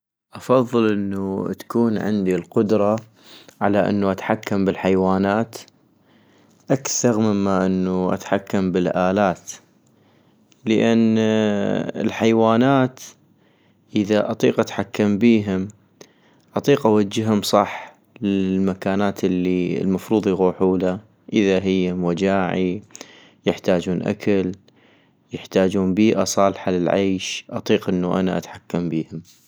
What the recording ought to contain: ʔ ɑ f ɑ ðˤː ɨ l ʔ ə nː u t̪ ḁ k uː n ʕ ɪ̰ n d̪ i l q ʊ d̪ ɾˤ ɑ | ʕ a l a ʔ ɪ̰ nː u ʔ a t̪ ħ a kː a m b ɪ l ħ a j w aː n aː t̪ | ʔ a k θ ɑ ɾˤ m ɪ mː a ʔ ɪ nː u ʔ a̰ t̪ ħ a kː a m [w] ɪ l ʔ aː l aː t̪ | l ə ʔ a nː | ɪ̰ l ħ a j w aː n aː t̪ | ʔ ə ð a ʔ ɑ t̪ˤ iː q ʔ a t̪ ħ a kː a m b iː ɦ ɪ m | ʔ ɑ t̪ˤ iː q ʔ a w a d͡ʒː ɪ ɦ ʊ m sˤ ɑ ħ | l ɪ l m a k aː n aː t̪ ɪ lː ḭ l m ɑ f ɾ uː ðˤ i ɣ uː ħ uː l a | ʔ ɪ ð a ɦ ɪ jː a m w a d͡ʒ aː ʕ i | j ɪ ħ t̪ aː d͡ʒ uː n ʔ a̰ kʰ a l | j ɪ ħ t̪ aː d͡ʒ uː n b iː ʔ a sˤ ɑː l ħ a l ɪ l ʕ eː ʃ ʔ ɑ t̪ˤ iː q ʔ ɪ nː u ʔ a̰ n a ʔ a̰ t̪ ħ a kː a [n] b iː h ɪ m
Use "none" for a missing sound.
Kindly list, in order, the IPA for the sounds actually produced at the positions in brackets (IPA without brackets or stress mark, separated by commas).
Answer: b, m